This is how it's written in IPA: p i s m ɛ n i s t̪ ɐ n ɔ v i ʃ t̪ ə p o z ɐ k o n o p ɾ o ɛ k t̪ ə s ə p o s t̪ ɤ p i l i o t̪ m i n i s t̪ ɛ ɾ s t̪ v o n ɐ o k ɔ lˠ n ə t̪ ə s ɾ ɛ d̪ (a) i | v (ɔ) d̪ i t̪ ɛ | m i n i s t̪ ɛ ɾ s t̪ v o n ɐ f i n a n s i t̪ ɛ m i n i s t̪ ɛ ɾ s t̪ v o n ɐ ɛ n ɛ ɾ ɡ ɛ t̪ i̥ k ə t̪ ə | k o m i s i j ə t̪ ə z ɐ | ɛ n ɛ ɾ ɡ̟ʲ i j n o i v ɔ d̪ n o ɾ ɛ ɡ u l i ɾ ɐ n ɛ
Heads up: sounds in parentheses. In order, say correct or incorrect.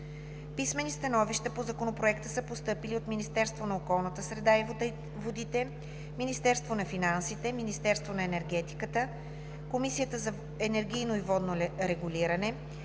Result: correct, incorrect: o

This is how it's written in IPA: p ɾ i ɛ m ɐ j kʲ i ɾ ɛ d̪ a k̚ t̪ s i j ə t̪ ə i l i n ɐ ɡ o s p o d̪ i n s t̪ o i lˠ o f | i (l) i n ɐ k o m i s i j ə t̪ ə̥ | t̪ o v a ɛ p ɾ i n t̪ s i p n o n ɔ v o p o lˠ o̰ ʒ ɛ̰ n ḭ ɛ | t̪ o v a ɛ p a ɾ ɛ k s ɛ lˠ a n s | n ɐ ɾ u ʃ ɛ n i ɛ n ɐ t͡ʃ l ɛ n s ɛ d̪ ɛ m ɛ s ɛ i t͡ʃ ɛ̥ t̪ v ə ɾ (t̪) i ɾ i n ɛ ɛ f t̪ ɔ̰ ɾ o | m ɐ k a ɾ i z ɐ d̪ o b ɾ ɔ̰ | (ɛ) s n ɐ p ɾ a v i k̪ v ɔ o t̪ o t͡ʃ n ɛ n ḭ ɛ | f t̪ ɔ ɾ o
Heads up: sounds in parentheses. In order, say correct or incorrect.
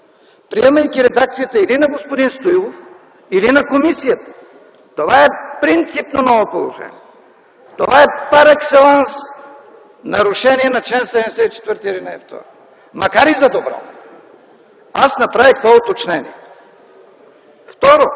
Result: correct, correct, incorrect: a

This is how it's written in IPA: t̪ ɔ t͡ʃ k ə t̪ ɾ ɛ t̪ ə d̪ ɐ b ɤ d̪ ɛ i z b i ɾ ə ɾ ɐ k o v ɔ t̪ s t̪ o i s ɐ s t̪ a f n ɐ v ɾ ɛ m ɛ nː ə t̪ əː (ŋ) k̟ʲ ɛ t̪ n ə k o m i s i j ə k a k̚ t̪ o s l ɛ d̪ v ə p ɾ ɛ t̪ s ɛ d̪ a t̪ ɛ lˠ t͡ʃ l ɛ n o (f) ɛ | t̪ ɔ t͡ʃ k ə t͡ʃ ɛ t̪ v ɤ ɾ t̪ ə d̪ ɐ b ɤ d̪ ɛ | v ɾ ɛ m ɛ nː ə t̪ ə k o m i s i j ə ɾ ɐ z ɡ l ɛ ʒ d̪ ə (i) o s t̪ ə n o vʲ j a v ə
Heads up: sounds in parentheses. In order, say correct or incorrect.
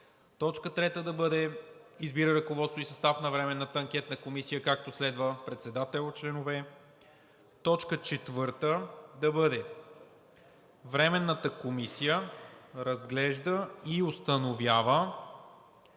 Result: correct, incorrect: v, correct

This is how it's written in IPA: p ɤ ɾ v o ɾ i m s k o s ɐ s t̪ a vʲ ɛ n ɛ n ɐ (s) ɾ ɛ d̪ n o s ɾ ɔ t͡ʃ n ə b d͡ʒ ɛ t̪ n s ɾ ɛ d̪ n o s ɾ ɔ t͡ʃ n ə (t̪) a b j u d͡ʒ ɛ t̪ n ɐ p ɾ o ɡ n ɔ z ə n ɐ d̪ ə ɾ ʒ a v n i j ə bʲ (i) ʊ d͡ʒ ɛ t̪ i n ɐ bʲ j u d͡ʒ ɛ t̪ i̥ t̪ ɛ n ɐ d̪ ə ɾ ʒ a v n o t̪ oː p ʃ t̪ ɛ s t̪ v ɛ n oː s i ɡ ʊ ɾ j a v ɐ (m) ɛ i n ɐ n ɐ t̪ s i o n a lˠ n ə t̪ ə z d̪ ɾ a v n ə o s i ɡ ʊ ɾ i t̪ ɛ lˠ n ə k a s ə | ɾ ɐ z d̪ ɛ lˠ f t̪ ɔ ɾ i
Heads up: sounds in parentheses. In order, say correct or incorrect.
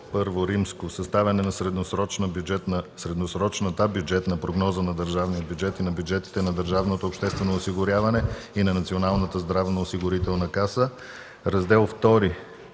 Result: correct, correct, incorrect: j, incorrect: n

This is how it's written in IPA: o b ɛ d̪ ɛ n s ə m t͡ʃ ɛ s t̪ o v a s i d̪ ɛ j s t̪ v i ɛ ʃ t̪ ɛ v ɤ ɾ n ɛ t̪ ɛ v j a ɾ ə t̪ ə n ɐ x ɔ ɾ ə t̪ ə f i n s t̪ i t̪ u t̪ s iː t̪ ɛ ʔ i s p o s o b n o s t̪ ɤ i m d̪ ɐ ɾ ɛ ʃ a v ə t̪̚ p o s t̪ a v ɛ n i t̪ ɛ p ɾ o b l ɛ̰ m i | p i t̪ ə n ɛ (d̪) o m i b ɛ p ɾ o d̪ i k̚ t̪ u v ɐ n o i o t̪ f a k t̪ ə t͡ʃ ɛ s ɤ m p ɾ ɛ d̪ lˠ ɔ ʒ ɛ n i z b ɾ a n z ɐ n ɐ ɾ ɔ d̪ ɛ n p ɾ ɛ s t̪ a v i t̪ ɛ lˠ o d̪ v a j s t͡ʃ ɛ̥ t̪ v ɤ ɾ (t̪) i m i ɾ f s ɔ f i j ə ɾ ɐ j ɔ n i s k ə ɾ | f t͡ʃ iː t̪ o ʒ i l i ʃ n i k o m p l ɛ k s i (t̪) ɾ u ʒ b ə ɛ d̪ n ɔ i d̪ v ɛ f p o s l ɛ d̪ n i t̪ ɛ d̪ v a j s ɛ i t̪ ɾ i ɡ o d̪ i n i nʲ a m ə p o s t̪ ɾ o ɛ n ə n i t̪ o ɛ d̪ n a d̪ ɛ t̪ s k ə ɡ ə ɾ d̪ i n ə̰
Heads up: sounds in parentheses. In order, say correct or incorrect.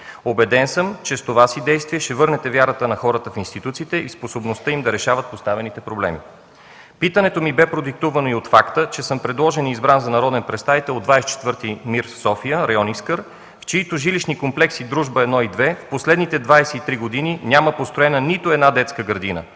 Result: incorrect: t̪, correct, incorrect: d̪

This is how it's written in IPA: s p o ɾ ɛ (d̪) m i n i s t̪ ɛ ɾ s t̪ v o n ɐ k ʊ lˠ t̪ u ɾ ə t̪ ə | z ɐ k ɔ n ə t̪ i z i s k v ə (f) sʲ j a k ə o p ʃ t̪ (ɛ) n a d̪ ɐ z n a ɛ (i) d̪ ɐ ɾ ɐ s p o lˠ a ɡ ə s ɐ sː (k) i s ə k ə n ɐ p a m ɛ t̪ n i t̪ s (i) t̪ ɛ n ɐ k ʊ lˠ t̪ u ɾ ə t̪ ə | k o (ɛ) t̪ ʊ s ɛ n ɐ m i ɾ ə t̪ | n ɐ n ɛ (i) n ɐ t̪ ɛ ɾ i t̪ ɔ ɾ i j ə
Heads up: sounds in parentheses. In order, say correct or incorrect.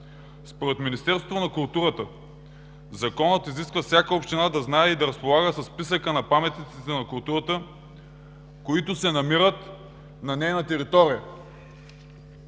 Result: incorrect: t̪, correct, incorrect: i, correct, incorrect: p, correct, incorrect: i, incorrect: j

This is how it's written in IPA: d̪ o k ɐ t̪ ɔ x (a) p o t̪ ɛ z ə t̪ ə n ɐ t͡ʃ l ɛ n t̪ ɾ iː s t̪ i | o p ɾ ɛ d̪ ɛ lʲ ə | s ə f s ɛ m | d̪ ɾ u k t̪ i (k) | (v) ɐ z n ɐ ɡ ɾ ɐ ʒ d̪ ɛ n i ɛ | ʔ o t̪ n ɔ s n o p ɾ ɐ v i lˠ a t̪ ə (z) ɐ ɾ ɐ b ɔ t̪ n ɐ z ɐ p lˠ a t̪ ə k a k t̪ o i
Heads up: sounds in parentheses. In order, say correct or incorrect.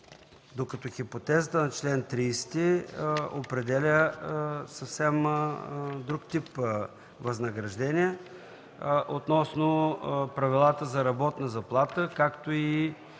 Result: incorrect: i, incorrect: p, correct, correct

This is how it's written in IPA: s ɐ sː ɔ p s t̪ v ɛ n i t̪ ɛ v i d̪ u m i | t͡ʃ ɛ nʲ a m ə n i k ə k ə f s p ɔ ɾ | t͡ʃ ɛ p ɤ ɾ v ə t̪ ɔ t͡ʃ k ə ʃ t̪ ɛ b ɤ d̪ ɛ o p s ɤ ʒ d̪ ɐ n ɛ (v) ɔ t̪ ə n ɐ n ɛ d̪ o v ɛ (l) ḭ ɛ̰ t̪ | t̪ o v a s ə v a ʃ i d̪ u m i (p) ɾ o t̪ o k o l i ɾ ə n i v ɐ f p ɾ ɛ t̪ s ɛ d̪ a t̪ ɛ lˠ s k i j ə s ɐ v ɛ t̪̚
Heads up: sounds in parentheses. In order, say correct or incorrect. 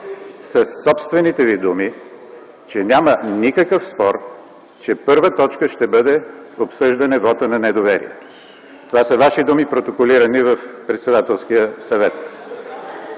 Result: correct, incorrect: ɾ, correct

